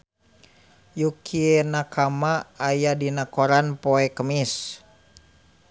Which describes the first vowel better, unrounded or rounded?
rounded